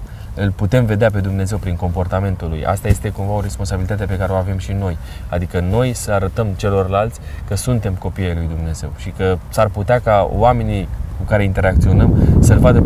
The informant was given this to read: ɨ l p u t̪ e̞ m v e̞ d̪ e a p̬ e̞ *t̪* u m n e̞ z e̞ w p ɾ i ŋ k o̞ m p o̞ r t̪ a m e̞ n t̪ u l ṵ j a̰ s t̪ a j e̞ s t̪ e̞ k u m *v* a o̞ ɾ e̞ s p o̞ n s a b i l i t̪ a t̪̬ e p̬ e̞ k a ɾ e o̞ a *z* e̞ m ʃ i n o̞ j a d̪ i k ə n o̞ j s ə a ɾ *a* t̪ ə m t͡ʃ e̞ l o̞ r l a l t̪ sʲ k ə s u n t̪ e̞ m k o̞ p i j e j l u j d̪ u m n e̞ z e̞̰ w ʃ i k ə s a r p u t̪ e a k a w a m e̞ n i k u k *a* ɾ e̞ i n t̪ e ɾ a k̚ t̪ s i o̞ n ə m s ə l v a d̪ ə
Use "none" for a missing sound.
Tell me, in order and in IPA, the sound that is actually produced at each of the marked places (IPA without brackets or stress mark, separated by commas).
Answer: d̪, v, v, ə, a